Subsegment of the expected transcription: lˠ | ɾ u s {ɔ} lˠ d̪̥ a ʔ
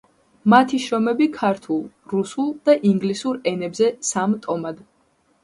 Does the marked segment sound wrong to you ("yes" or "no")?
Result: yes